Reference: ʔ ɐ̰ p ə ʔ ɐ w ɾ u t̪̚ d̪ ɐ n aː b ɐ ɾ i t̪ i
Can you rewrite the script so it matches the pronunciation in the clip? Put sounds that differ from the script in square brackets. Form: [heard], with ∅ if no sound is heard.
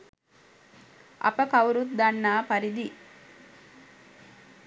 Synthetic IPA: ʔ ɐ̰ p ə [k] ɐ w ɾ u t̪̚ d̪ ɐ [nː] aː [p] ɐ ɾ i [d̪] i